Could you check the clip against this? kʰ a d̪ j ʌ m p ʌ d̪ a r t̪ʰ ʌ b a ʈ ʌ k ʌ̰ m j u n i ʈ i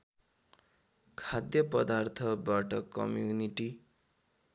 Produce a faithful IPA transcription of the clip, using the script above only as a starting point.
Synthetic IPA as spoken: kʰ a d̪ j ʌ p ʌ d̪ a r t̪ʰ ʌ b a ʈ ʌ k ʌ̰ m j u n i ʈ i